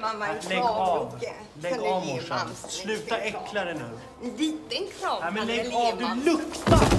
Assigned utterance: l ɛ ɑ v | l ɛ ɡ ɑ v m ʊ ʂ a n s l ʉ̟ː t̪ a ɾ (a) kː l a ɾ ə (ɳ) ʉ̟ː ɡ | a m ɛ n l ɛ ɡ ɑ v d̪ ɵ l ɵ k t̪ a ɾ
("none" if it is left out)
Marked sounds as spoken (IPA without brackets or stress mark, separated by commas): ɛ, n